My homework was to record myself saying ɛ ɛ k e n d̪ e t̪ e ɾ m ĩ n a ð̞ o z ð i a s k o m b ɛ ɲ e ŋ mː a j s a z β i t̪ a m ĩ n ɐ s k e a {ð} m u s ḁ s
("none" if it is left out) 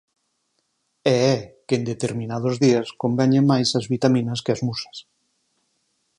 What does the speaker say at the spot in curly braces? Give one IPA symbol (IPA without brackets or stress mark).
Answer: z